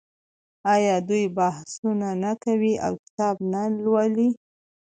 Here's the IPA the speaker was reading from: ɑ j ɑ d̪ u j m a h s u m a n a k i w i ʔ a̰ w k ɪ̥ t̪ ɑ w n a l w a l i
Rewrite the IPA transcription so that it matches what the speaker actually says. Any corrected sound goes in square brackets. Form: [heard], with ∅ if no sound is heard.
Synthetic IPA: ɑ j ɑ d̪ u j [b] a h s u [n] a n a k [a] w i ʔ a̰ w k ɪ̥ t̪ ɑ [b] n a l w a l i